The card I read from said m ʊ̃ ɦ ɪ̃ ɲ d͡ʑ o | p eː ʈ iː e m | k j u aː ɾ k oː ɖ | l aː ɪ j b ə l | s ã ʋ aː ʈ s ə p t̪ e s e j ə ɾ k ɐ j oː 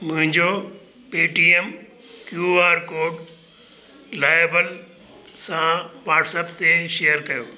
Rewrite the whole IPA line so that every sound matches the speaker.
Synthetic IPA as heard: m ʊ̃ ɦ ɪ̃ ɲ d͡ʑ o | p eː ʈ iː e m | k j u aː ɾ k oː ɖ | l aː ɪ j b ə l | s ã ʋ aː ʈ s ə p t̪ e ʃ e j ə ɾ k ɐ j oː